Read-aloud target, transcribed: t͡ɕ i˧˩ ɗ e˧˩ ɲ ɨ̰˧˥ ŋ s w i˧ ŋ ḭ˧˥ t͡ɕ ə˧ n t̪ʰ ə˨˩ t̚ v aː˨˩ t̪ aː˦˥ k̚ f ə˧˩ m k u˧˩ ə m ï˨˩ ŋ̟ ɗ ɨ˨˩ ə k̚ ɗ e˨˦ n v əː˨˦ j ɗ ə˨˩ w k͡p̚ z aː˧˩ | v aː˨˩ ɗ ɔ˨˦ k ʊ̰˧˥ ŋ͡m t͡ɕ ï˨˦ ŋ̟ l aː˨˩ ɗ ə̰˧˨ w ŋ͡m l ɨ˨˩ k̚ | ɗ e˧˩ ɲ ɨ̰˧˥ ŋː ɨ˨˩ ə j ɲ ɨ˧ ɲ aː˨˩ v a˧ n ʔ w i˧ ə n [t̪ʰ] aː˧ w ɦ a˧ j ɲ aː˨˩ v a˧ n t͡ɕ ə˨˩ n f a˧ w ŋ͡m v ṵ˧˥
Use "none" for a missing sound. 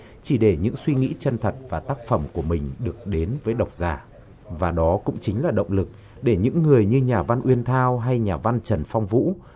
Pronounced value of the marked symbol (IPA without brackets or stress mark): t̪ʰ